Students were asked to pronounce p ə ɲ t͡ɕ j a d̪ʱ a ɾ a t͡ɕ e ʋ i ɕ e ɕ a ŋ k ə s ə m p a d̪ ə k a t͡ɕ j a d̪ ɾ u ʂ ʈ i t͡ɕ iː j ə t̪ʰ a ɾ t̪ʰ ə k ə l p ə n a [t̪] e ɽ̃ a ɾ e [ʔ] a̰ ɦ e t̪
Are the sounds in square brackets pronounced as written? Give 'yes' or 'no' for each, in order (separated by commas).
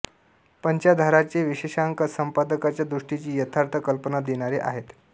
no, yes